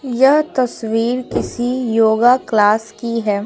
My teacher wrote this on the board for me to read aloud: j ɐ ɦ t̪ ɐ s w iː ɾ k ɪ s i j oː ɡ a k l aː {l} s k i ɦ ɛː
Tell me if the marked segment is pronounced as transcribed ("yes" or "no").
no